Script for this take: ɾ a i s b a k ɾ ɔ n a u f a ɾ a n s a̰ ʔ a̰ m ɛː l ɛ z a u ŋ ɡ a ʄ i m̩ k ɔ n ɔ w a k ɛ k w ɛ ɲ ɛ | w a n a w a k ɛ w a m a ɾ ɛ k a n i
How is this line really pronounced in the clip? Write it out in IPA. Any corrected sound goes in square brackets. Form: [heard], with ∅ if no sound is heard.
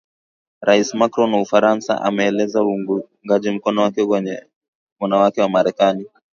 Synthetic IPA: ɾ a i s [m] a k ɾ ɔ n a u f a ɾ a n s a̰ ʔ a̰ m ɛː l ɛ z a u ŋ ɡ a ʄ i m̩ k ɔ n ɔ w a k ɛ k w ɛ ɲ ɛ | w a n a w a k ɛ w a m a ɾ ɛ k a n i